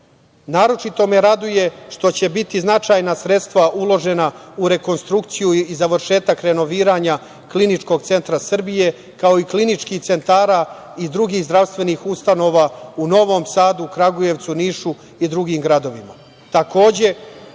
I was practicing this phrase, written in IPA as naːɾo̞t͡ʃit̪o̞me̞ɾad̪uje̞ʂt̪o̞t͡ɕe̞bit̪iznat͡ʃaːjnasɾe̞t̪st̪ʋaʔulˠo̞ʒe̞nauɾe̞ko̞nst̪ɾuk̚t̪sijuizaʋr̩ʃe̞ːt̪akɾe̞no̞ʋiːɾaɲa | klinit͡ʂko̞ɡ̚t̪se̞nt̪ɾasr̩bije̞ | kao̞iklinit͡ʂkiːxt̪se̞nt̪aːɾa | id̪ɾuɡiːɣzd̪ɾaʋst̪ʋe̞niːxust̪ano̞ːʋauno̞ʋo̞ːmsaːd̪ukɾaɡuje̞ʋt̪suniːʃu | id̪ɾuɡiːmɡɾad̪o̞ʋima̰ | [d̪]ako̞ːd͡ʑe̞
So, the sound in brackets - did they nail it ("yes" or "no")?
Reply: no